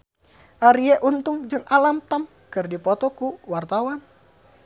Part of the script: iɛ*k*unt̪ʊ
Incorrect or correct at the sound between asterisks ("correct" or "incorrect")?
incorrect